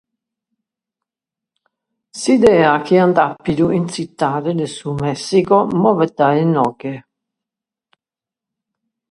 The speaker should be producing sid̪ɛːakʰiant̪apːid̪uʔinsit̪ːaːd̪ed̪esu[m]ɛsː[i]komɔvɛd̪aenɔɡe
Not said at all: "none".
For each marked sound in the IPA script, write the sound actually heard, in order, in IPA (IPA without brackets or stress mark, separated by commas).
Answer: m, i